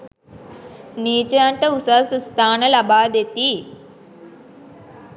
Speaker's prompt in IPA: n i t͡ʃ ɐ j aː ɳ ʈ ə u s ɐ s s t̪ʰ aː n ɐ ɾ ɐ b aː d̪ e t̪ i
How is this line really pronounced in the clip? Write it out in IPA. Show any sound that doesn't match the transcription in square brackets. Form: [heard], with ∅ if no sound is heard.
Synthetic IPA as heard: n [iː] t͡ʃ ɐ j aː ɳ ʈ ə u s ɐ s s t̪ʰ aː n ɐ [l] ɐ b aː d̪ e t̪ i

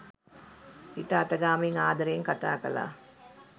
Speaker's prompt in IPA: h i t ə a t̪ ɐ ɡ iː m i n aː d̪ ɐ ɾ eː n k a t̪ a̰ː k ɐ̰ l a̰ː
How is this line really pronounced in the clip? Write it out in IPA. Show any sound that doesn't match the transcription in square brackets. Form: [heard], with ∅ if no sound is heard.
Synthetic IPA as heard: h i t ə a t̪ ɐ ɡ [aː] m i [ŋ] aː d̪ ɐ ɾ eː [ŋ] k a t̪ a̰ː k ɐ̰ l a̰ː

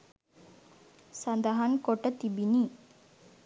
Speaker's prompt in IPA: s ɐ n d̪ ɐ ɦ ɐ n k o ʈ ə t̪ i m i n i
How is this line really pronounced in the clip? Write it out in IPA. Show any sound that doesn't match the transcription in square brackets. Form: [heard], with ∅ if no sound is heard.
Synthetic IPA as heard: s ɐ n d̪ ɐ ɦ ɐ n k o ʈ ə t̪ i [b] i n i

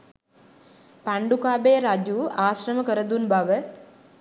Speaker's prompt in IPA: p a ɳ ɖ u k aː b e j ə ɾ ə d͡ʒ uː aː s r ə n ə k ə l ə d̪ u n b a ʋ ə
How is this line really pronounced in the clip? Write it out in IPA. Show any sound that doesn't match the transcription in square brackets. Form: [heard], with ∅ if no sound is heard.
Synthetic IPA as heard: p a ɳ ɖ u k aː b e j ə ɾ [a] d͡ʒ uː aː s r ə [m] ə k ə [ɾ] ə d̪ u n b a ʋ ə

